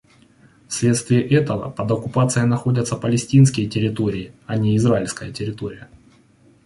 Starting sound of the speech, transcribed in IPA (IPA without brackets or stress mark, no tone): f